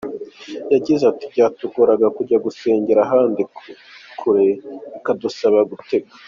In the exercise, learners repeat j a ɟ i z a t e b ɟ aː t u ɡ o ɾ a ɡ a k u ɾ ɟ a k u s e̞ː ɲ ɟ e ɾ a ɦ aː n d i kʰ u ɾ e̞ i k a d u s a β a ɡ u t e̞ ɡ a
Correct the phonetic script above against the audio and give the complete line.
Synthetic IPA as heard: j a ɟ i z a t i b ɟ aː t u ɡ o ɾ a ɡ a k u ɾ ɟ a ɡ u s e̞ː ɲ ɟ e ɾ a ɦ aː n d i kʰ u ɾ e̞ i k a d u s a β a ɡ u t e̞ ɡ a